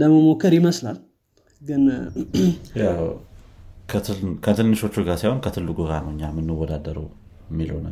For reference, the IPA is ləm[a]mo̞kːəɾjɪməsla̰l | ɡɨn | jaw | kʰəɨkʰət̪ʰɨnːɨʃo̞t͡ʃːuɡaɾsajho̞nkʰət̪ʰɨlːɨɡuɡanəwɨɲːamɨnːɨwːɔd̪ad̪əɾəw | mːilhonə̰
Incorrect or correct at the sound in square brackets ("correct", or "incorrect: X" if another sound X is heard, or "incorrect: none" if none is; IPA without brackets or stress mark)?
incorrect: ə